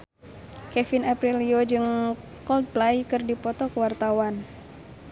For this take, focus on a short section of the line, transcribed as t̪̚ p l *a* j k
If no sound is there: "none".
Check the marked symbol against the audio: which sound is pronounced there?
a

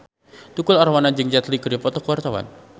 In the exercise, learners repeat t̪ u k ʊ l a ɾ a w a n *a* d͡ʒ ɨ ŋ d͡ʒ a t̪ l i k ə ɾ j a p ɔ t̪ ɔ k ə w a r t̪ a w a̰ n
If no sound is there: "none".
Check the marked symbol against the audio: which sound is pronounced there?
a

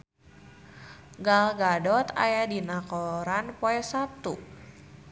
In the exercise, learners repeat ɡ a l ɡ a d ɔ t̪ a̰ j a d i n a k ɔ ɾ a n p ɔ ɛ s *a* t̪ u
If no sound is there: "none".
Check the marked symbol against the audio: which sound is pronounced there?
a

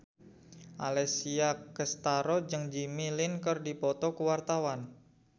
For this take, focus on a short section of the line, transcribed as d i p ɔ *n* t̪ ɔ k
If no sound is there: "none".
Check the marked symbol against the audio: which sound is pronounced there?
none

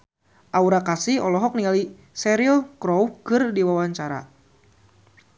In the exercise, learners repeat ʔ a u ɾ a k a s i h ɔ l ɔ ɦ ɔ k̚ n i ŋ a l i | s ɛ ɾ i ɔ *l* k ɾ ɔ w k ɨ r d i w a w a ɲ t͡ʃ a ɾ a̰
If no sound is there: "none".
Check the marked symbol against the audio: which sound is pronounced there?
l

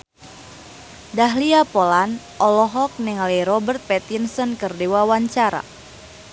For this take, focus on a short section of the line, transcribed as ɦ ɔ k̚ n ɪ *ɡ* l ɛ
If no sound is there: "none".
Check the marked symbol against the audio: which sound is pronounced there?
ŋ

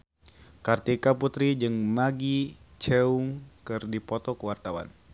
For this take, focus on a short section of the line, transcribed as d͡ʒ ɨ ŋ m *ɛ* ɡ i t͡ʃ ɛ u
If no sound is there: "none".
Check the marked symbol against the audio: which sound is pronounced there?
a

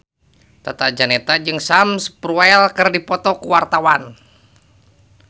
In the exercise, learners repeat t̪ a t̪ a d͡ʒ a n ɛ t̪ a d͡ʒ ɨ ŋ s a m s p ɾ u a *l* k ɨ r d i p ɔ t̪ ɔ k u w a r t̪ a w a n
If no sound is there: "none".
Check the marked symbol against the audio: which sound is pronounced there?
l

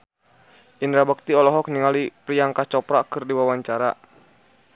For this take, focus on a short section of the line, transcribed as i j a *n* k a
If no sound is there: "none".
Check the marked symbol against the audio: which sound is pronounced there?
ŋ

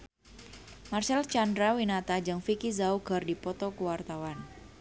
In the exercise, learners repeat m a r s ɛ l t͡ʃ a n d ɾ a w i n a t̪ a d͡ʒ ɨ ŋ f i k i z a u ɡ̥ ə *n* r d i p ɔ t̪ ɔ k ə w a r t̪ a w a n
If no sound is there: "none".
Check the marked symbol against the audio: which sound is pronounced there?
none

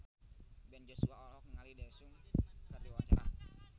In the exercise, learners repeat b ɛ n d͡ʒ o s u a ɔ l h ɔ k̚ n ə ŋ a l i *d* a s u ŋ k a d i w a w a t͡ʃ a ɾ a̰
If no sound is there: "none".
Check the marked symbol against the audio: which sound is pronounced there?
d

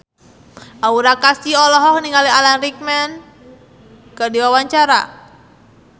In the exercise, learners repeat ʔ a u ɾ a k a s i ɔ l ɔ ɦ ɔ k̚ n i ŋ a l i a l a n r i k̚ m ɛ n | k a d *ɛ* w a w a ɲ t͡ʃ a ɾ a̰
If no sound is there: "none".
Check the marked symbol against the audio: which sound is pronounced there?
i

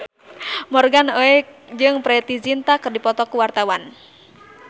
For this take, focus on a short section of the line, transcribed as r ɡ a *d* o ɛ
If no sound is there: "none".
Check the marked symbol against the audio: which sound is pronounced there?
n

